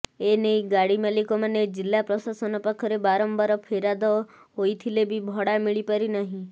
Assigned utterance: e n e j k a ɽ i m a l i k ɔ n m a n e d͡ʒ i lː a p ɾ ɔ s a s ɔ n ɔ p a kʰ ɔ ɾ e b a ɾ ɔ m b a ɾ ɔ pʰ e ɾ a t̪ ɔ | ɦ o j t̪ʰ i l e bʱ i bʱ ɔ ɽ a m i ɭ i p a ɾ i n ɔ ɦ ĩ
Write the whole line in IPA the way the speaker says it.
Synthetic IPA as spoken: e n e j ɡ a ɽ i m a l i k ɔ m a n e d͡ʒ i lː a p ɾ ɔ s a s ɔ n ɔ p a kʰ ɔ ɾ e b a ɾ ɔ m b a ɾ ɔ pʰ e ɾ a d̪ ɔ | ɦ o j t̪ʰ i l e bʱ i bʱ ɔ ɽ a m i ɭ i p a ɾ i n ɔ ɦ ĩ